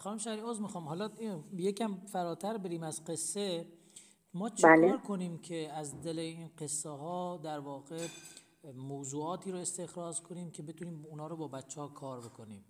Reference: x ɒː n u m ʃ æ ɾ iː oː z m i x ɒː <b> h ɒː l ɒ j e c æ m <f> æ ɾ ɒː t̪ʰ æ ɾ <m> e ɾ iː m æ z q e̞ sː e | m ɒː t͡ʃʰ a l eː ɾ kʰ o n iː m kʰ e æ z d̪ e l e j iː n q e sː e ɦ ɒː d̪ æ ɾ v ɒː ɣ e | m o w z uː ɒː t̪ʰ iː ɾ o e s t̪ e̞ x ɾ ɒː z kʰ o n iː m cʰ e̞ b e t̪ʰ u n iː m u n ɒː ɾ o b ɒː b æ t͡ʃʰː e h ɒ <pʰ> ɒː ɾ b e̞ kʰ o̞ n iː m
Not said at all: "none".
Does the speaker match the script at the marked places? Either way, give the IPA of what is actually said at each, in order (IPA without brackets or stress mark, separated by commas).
m, f, b, kʰ